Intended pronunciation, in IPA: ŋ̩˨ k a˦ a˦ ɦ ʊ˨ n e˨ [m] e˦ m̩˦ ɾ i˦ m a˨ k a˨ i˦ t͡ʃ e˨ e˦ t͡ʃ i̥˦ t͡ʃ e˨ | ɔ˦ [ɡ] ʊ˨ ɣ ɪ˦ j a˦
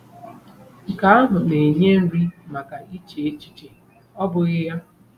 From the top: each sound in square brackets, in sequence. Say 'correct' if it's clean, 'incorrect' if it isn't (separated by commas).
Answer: incorrect, incorrect